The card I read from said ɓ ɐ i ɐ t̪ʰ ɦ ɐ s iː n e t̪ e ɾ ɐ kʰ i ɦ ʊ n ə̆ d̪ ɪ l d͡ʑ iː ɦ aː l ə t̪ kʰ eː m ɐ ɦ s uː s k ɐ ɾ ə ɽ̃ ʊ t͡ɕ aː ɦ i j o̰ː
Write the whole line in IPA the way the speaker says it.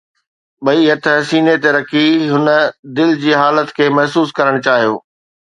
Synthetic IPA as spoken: ɓ ɐ i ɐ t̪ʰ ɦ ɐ s iː n e t̪ e ɾ ɐ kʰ i ɦ ʊ n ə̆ d̪ ɪ l d͡ʑ iː ɦ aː l ə t̪ kʰ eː m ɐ ɦ s uː s k ɐ ɾ ə ɽ̃ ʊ t͡ɕ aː ɦ i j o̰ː